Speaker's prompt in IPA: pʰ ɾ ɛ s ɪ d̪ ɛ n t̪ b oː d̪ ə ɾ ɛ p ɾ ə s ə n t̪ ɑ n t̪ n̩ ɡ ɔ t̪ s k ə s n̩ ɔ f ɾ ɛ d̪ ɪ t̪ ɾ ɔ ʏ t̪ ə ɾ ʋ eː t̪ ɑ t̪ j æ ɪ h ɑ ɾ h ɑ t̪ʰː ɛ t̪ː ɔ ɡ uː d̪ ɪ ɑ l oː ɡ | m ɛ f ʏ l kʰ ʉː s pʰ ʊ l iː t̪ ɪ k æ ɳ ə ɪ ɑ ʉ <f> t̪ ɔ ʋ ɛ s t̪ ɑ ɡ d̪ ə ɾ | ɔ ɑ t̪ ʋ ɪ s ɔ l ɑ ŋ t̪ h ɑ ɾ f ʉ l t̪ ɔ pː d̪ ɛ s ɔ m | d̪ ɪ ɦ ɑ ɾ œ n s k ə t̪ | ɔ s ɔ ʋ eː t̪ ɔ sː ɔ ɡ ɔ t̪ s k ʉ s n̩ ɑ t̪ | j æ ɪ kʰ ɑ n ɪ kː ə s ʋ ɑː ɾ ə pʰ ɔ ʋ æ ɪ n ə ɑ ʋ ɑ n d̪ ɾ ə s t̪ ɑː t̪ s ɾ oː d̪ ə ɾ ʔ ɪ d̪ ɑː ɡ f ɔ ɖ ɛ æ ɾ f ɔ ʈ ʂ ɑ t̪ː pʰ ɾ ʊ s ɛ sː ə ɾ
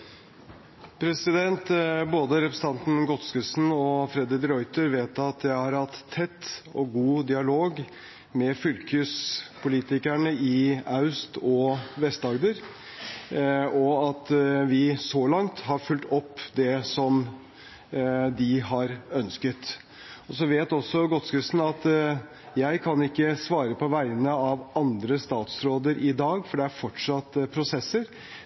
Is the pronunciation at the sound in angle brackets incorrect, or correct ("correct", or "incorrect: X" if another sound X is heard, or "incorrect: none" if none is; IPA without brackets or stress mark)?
incorrect: s